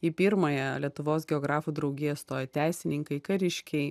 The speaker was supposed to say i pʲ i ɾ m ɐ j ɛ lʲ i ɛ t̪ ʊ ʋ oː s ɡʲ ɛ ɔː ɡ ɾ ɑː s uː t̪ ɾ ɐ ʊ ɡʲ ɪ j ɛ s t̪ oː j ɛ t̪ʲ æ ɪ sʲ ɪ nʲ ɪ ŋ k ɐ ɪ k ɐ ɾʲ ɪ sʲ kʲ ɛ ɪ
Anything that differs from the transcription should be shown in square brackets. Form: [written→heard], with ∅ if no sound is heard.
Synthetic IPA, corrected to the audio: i pʲ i ɾ m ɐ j ɛ lʲ i ɛ t̪ ʊ ʋ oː s ɡʲ ɛ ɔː ɡ ɾ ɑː [s→f] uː [t̪→d̪] ɾ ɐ ʊ ɡʲ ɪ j ɛ s t̪ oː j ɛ t̪ʲ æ ɪ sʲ ɪ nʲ ɪ ŋ k ɐ ɪ k ɐ ɾʲ ɪ [sʲ→ʃʲ] kʲ ɛ ɪ